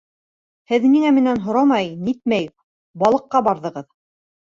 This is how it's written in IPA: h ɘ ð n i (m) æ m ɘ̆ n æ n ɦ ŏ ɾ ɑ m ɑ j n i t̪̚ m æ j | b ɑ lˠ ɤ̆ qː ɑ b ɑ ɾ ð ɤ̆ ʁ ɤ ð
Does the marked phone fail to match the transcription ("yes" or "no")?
yes